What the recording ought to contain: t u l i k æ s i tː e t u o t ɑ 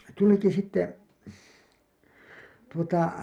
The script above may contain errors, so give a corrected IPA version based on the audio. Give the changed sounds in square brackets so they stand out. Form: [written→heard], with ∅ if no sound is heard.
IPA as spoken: t u l i k [æ→i] s i tː e t u o t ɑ